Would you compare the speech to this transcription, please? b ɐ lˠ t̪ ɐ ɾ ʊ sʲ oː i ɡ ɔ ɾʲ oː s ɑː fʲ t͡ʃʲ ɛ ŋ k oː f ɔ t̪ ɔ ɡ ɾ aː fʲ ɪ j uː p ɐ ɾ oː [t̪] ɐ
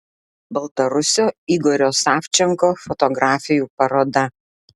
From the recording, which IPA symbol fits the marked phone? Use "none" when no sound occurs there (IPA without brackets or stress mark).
d̪